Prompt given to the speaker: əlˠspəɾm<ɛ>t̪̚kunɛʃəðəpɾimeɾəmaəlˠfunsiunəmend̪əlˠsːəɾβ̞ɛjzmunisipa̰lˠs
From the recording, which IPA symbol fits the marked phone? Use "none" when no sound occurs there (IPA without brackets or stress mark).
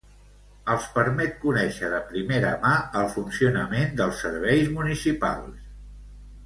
ɛ